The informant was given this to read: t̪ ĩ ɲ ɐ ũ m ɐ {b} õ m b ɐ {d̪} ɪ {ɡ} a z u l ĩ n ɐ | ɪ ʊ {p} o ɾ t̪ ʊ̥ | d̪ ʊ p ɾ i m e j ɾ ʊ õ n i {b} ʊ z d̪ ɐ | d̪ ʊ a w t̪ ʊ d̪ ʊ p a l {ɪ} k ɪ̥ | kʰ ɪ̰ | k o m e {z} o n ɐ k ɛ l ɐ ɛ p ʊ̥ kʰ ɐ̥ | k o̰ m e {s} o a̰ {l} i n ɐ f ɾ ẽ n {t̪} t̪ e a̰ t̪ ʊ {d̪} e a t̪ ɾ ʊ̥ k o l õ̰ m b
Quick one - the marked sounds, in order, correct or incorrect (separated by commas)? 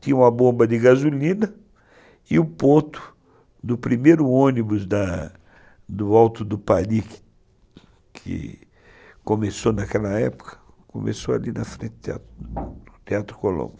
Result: correct, correct, correct, correct, correct, incorrect, incorrect, correct, correct, correct, incorrect